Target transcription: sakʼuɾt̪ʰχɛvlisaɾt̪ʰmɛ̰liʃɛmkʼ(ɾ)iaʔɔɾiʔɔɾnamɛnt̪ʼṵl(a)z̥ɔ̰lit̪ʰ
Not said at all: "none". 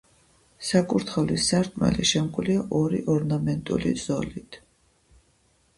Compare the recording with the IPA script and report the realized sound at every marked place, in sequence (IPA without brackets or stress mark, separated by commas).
l, i